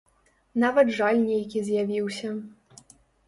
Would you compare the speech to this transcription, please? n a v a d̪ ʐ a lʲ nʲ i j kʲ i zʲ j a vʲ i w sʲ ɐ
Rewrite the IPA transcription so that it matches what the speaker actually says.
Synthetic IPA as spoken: n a v ɐ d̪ ʐ a lʲ nʲ e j kʲ i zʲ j a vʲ i w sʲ ɐ

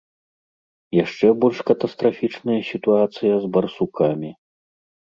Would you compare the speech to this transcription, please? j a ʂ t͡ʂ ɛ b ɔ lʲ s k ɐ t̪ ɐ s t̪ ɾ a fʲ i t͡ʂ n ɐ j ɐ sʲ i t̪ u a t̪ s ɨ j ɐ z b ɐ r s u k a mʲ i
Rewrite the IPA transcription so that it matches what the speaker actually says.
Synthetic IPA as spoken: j a ʂ t͡ʂ ɛ b ɔ lʲ ʂ k ɐ t̪ ɐ s t̪ ɾ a fʲ i t͡ʂ n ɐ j ɐ sʲ i t̪ u a t̪ s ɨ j ɐ z b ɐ r s u k a mʲ i

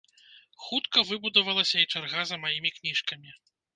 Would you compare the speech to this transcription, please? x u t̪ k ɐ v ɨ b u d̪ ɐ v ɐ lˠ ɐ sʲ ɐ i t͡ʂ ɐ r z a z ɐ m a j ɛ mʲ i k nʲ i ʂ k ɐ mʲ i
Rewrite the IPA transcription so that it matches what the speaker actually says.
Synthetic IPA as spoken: x u t̪ k ɐ v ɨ b u d̪ ɐ v ɐ lˠ ɐ sʲ ɐ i t͡ʂ a r ɣ a z ɐ m a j i mʲ i k nʲ i ʂ k ɐ mʲ i

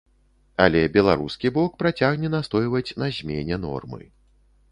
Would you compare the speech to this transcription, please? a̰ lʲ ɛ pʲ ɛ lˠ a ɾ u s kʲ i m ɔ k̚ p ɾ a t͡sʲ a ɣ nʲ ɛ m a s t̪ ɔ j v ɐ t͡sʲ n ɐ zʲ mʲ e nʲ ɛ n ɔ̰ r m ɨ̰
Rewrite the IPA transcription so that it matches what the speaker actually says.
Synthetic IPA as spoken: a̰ lʲ ɛ bʲ ɛ lˠ a ɾ u s kʲ i b ɔ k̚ p ɾ a t͡sʲ a ɣ nʲ ɛ n a s t̪ ɔ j v ɐ t͡sʲ n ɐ zʲ mʲ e nʲ ɛ n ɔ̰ r m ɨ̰

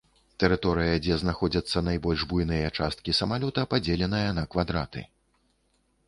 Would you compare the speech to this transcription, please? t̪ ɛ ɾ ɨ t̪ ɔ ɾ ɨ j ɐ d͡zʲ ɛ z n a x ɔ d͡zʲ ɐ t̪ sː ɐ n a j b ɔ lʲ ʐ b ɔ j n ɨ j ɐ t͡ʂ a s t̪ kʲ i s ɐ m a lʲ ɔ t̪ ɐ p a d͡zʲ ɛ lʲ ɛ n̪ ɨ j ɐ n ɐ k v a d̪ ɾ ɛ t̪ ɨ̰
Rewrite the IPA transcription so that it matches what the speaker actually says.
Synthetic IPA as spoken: t̪ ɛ ɾ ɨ t̪ ɔ ɾ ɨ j ɐ d͡zʲ ɛ z n a x ɔ d͡zʲ ɐ t̪ sː ɐ n a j b ɔ lʲ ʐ b u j n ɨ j ɐ t͡ʂ a s t̪ kʲ i s ɐ m a lʲ ɔ t̪ ɐ p a d͡zʲ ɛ lʲ ɛ n̪ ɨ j ɐ n ɐ k v a d̪ ɾ a t̪ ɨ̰

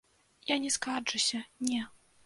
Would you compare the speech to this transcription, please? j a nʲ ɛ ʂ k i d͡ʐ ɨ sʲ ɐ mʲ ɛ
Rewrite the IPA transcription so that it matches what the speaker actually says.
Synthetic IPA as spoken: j a nʲ ɛ s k a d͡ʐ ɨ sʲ ɐ nʲ ɛ

